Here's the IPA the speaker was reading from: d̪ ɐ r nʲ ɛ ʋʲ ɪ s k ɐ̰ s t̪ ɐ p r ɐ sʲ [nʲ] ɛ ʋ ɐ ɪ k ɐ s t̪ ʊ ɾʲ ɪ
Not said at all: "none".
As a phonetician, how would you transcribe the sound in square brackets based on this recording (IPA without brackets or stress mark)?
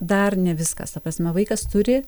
mʲ